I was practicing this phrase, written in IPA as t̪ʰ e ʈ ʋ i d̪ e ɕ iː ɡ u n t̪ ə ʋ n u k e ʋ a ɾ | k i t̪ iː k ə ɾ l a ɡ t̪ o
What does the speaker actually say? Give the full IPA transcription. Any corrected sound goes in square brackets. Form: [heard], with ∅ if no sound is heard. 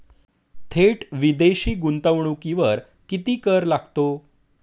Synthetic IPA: t̪ʰ e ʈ ʋ i d̪ e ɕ iː ɡ u n t̪ ə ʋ [ɳ] u k [i] ʋ [ə] ɾ | k i t̪ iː k ə ɾ l a ɡ t̪ o